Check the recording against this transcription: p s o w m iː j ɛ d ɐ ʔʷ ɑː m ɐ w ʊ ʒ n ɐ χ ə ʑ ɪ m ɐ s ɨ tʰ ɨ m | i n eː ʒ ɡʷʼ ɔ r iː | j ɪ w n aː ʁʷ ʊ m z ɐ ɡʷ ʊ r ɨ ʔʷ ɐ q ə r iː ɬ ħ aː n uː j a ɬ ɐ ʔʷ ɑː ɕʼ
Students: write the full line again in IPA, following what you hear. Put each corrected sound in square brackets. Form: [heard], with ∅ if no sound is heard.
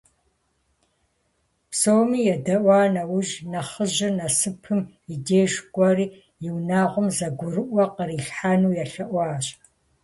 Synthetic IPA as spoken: p s o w m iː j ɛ d ɐ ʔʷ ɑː [n] ɐ w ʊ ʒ n ɐ χ ə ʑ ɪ [n] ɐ s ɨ [pʰ] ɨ m | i [d] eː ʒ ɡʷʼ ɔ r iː | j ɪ w n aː ʁʷ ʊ m z ɐ ɡʷ ʊ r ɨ ʔʷ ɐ q ə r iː ɬ ħ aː n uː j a ɬ ɐ ʔʷ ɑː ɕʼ